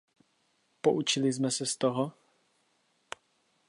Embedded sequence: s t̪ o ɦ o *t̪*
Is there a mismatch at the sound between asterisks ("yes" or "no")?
yes